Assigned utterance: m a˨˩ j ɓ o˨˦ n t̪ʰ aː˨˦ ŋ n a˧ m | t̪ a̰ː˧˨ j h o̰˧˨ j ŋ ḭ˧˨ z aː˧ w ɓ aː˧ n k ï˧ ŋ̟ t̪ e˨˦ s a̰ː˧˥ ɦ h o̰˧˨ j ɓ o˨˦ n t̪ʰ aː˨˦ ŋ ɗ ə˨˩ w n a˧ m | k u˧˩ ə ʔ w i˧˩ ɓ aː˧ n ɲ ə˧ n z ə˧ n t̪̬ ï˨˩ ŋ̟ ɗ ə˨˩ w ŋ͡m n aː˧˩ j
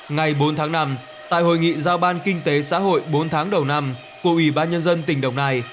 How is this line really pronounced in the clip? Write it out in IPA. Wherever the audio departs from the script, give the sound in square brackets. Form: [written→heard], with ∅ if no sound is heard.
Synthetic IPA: [m→ŋ] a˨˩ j ɓ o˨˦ n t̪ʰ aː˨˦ ŋ n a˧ m | t̪ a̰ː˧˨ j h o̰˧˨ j ŋ ḭ˧˨ z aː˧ w ɓ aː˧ n k ï˧ ŋ̟ t̪ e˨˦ s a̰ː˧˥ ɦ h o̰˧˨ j ɓ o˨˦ n t̪ʰ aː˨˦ ŋ ɗ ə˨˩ w n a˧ m | k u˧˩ ə ʔ w i˧˩ ɓ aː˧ n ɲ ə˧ n z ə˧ n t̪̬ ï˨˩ ŋ̟ ɗ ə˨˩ w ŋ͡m n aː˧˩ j